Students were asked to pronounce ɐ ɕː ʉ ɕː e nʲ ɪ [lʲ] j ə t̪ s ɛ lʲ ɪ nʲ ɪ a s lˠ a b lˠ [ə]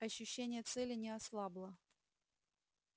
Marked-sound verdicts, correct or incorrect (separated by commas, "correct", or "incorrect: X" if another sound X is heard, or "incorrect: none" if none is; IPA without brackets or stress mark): incorrect: none, correct